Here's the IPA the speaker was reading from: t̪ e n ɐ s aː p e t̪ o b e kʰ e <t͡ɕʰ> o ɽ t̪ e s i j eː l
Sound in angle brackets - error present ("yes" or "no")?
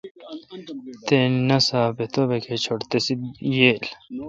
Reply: no